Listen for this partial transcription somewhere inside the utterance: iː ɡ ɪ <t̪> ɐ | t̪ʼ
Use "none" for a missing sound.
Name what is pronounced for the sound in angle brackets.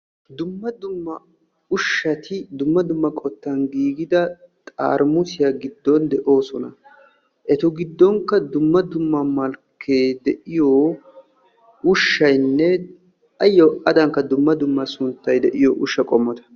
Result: d̪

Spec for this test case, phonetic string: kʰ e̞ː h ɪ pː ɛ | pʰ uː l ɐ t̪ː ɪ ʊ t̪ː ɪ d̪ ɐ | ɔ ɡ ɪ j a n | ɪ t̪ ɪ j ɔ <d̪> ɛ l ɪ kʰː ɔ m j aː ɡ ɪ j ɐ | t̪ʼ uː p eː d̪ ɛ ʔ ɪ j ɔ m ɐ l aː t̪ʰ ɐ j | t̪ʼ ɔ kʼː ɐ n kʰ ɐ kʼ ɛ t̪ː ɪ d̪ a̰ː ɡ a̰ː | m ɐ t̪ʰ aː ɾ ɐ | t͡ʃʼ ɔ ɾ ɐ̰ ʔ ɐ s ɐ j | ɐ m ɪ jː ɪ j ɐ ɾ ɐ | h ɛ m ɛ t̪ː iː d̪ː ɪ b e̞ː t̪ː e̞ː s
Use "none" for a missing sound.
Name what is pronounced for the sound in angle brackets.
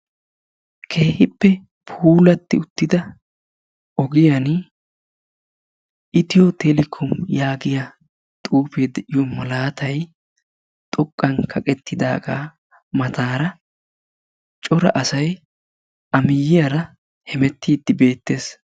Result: t̪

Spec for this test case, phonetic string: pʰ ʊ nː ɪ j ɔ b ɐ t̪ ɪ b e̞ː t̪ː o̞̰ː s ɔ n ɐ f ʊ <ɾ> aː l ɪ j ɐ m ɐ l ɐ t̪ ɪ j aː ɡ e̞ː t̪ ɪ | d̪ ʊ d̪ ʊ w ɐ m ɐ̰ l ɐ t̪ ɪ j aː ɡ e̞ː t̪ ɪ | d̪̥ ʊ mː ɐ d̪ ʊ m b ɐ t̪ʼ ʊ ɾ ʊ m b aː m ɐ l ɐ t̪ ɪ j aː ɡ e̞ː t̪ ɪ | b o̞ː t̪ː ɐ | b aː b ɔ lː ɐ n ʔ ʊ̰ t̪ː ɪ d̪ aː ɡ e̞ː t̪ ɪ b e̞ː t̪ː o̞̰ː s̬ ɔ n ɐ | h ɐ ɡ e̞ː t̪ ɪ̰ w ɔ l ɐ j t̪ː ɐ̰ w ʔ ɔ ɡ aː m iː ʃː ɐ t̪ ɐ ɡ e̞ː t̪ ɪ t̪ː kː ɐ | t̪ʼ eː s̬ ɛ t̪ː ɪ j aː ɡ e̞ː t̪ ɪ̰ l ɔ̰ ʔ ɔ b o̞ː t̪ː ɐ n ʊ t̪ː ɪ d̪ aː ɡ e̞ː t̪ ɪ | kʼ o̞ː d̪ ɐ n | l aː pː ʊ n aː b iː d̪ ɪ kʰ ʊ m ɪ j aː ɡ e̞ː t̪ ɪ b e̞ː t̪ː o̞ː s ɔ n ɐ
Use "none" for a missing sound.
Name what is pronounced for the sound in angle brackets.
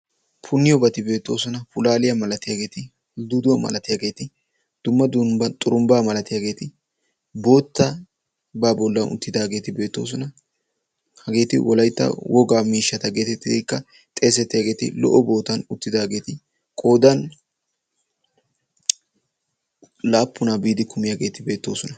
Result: l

